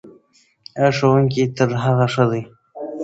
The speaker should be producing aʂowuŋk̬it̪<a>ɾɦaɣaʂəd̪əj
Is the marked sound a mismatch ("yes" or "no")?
yes